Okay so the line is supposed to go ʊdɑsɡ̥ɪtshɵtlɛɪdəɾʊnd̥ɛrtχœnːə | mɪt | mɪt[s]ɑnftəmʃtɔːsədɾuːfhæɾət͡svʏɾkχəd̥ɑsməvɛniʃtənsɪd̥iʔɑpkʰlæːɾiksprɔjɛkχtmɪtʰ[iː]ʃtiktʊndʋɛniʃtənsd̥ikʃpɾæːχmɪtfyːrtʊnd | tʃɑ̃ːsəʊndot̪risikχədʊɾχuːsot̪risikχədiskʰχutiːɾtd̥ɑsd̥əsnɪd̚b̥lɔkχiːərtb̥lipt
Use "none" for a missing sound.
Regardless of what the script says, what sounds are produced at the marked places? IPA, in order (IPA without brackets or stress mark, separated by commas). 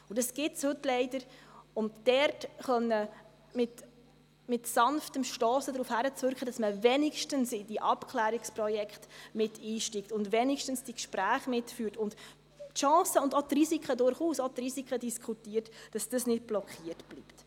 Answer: s, iː